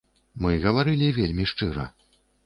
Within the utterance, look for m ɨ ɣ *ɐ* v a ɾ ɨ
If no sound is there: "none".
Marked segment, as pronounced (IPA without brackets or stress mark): ɐ